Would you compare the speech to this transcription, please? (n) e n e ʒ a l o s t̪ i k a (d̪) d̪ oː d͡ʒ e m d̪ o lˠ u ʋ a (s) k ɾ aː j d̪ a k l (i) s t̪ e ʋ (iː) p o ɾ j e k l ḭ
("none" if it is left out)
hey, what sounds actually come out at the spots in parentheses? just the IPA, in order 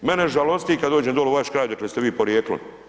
m, d̪, ʃ, e, iː

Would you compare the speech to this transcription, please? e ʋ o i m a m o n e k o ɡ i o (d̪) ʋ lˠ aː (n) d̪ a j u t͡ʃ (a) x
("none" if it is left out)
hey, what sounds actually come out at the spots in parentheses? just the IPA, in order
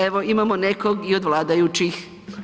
d̪, none, i

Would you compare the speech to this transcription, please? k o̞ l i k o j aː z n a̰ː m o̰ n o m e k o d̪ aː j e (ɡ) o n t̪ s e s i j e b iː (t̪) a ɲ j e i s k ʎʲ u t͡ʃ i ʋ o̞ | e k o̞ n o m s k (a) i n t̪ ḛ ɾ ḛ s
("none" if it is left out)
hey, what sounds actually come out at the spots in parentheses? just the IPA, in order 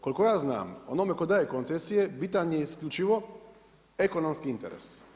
k, t̪, i

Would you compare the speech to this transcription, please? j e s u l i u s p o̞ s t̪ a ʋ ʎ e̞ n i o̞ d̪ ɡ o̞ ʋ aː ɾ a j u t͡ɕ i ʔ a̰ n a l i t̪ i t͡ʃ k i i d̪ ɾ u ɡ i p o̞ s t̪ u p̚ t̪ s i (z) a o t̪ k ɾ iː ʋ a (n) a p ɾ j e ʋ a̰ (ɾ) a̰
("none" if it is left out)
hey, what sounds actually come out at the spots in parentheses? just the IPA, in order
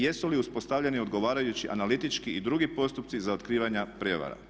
z, ɲ, ɾ

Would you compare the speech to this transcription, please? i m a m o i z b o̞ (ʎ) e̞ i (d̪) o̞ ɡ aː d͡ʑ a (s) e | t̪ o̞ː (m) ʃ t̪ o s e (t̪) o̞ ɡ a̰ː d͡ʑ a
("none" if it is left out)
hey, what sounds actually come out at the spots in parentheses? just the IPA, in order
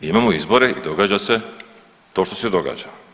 ɾ, d̪, s, none, d̪

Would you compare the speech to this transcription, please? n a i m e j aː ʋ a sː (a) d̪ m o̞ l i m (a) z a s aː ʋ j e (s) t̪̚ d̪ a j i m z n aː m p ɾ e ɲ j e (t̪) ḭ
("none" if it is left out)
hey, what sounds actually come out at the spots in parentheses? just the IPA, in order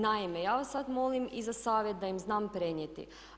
a, i, none, t̪

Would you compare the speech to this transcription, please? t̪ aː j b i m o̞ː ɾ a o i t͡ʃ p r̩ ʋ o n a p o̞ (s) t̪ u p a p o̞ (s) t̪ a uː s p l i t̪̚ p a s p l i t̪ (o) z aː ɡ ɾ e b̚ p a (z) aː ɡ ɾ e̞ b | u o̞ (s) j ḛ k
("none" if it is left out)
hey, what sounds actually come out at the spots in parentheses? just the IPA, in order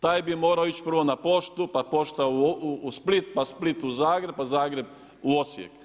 ʃ, ʃ, u, z, s

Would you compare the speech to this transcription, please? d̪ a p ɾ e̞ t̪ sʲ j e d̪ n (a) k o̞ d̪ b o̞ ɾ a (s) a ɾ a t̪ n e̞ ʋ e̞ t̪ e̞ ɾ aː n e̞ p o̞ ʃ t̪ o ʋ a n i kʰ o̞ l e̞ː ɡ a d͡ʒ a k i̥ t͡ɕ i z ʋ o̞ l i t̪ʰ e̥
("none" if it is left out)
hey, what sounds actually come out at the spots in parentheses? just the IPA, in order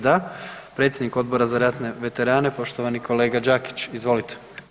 i, z

